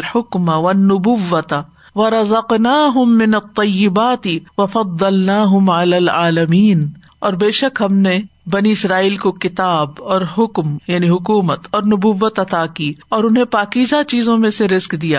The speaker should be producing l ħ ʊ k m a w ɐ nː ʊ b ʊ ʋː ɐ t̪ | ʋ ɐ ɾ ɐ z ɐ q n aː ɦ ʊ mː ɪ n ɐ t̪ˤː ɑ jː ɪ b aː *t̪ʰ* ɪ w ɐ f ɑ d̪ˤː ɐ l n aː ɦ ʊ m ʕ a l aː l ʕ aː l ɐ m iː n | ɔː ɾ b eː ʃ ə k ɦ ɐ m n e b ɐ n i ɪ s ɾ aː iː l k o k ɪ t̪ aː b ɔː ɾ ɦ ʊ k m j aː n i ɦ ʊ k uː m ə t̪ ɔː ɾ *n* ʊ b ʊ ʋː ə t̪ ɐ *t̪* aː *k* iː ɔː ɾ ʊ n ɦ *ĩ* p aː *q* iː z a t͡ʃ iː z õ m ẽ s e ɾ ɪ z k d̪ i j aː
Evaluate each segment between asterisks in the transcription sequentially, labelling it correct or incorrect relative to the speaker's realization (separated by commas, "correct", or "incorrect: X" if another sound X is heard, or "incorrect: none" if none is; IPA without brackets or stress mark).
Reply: incorrect: t̪, correct, correct, correct, incorrect: ẽ, incorrect: k